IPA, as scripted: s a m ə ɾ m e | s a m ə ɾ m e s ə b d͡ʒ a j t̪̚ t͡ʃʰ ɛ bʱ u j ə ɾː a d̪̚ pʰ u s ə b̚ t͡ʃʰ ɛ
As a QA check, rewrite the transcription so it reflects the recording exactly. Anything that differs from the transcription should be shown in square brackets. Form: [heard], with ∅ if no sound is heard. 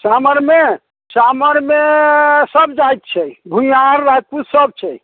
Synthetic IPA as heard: s a m ə ɾ m e | s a m ə ɾ m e s ə b d͡ʒ a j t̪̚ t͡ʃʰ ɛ bʱ u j [a] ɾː a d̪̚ [p] u s ə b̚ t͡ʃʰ ɛ